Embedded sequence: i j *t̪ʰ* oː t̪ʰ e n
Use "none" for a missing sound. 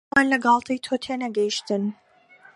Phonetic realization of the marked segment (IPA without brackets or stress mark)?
t̪ʰ